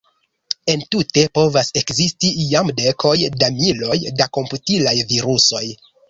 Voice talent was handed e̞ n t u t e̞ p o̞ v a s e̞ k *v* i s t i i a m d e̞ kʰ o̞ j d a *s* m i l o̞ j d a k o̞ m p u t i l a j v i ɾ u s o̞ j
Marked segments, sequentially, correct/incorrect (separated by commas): incorrect, incorrect